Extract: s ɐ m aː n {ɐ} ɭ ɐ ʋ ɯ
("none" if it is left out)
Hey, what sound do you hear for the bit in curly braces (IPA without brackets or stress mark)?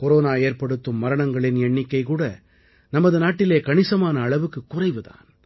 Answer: ɐː